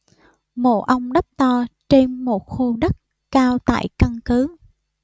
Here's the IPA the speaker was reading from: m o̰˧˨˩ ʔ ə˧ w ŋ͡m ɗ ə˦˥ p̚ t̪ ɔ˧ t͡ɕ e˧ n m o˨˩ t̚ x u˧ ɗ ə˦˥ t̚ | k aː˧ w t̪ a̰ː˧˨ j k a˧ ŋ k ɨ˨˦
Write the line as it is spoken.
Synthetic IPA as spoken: m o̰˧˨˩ ʔ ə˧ w ŋ͡m ɗ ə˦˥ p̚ t̪ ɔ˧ t͡ɕ e˧ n m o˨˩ t̚ x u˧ ɗ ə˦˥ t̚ | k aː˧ w t̪ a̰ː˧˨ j k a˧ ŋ k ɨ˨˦